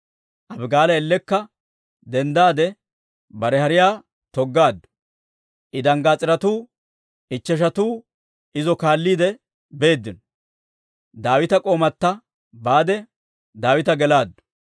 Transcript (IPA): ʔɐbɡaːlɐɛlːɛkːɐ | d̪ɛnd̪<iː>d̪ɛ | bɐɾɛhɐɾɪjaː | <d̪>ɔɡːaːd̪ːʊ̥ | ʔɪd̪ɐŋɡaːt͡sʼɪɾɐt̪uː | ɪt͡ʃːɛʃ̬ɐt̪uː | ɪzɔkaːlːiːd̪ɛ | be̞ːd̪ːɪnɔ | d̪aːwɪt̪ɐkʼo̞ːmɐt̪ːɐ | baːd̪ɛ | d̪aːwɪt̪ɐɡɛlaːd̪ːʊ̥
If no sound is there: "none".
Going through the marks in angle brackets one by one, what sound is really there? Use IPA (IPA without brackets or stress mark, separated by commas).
aː, t̪